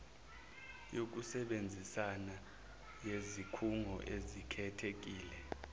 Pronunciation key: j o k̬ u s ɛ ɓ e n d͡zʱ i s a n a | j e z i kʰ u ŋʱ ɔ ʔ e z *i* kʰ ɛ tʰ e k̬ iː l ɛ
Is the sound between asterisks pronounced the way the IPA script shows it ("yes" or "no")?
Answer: yes